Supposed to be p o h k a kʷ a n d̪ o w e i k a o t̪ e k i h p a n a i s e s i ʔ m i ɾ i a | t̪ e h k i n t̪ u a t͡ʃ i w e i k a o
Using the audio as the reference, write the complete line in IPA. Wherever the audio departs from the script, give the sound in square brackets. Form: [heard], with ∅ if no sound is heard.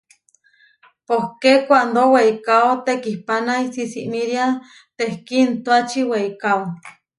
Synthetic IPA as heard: p o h k [e] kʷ a n d̪ o w e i k a o t̪ e k i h p a n a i s [i] s i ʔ m i ɾ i a | t̪ e h k i n t̪ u a t͡ʃ i w e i k a o